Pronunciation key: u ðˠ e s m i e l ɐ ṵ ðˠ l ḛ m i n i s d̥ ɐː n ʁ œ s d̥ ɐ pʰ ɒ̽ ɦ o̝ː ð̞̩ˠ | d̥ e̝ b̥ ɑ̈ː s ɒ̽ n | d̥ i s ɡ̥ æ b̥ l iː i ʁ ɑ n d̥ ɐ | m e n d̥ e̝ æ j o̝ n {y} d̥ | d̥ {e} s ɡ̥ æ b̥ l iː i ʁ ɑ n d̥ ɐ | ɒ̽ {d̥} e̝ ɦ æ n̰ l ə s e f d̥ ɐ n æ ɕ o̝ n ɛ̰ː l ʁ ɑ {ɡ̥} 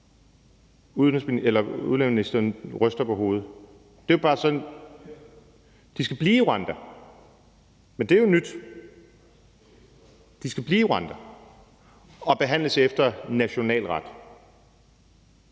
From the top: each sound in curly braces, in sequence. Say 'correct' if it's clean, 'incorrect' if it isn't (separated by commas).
correct, incorrect, incorrect, incorrect